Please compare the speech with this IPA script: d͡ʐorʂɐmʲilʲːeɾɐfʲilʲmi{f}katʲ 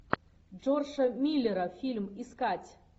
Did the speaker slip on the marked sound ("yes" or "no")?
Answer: yes